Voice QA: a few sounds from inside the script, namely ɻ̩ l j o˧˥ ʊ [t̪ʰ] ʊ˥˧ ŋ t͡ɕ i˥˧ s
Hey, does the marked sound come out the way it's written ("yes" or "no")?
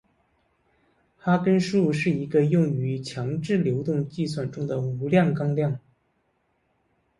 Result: no